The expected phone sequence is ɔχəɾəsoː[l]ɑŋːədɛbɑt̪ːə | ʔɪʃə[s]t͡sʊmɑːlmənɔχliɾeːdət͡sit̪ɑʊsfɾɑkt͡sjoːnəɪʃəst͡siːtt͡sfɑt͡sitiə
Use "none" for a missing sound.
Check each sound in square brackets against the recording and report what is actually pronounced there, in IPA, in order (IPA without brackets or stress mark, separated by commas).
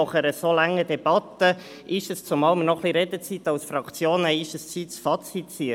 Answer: l, s